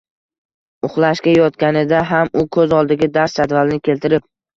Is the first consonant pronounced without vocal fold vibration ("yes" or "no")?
yes